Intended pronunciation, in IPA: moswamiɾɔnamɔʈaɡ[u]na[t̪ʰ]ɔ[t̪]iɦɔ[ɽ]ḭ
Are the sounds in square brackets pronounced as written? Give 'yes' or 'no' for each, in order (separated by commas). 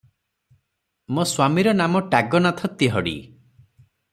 no, yes, yes, yes